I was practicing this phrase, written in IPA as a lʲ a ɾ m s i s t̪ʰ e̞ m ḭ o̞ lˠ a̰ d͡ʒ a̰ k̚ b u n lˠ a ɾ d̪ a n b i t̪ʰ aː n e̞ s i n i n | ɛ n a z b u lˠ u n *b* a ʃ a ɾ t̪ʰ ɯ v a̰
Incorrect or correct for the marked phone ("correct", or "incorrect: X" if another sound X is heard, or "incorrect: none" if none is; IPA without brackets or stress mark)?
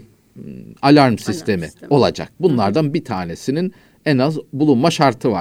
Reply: incorrect: m